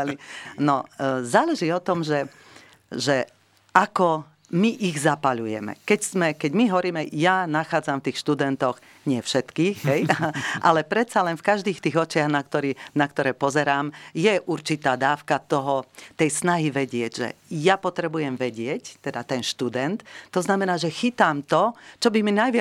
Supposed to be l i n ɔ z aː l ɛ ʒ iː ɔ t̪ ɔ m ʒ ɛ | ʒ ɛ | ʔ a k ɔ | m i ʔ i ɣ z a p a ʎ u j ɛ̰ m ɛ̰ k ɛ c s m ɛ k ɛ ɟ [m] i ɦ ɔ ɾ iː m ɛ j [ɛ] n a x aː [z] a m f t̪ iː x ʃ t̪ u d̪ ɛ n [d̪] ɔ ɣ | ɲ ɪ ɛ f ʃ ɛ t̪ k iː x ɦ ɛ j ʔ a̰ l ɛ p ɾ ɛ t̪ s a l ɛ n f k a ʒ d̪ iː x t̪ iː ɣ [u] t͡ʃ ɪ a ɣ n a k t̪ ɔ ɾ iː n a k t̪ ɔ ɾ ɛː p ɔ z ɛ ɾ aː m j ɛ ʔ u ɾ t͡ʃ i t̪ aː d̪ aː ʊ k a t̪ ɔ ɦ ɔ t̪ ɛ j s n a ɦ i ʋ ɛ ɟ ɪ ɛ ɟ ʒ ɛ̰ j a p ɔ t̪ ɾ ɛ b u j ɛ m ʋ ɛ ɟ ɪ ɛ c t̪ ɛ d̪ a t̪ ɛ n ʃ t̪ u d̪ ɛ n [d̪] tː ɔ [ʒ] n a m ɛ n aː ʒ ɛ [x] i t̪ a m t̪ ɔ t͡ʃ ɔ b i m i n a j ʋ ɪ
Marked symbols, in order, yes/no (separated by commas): yes, no, no, no, no, no, no, yes